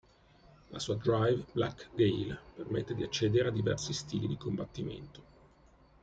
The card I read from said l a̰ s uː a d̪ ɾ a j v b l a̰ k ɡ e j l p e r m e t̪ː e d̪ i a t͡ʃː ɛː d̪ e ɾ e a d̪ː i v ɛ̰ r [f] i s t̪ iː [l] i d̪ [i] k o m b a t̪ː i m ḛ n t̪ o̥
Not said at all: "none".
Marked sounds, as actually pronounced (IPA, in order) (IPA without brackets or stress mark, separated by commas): s, l, i